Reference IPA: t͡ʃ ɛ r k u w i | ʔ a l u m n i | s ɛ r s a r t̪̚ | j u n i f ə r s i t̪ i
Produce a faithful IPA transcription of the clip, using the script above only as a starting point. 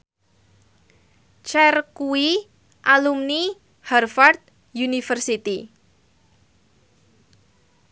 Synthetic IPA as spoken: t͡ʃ ɛ r k u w i | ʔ a l u m n i | h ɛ r f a r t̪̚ | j u n i f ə r s i t̪ i